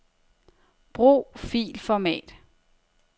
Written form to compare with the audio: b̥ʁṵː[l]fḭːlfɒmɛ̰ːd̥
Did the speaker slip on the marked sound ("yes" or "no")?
yes